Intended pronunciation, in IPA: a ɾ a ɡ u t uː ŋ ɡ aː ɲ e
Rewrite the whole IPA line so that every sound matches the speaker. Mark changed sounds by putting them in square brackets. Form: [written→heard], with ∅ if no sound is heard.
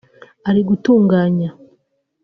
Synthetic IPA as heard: a ɾ [a→i] ɡ u t uː ŋ ɡ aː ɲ [e→a]

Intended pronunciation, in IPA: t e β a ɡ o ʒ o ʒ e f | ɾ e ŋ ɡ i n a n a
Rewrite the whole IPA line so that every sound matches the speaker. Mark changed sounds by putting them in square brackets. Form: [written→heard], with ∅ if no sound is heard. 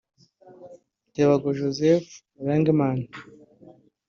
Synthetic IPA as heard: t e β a ɡ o ʒ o [ʒ→z] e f | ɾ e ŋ ɡ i [n→m] a n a

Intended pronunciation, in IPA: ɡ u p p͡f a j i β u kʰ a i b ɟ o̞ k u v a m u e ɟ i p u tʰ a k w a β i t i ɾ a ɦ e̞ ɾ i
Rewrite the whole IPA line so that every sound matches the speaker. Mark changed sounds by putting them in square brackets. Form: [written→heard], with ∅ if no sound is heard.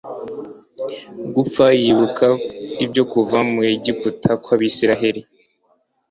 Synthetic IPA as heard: ɡ u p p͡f a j i β u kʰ a i b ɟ o̞ k u v a m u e ɟ i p u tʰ a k w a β i [t→s] i ɾ a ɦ e̞ ɾ i

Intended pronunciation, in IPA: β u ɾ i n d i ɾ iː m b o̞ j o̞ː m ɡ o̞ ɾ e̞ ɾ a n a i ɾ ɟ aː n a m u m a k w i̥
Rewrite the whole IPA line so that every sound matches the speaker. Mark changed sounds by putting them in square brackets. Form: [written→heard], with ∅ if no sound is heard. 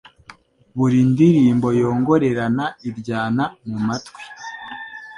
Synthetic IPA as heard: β u ɾ i n d i ɾ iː m b o̞ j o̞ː [m→ŋ] ɡ o̞ ɾ e̞ ɾ a n a i ɾ ɟ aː n a m u m a [k→t] w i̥

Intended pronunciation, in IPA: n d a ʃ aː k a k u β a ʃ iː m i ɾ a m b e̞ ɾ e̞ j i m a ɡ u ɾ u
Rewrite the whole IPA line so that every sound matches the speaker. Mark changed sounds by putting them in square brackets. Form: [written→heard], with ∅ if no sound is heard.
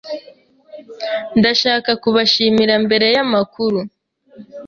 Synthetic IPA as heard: n d a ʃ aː k a k u β a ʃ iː m i ɾ a m b e̞ ɾ e̞ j [i→a] m a [ɡ→k] u ɾ u

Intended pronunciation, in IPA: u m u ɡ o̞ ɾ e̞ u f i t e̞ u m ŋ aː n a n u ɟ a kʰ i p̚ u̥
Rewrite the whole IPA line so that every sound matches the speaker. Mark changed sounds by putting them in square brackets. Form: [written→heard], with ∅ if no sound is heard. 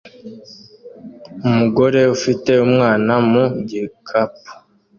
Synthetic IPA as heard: u m u ɡ o̞ ɾ e̞ u f i t e̞ u m ŋ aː n a [n→m] u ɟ [a→i] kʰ [i→a] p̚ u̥

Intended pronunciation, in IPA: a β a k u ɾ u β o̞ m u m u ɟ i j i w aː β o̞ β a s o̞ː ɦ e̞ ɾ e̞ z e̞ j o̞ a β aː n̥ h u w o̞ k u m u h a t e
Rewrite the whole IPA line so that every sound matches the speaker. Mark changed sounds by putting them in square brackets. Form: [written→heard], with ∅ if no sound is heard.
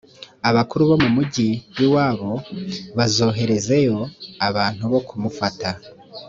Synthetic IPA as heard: a β a k u ɾ u β o̞ m u m u ɟ i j i w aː β o̞ β a [s→z] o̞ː ɦ e̞ ɾ e̞ z e̞ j o̞ a β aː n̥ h u [w→β] o̞ k u m u [h→f] a t [e→a]

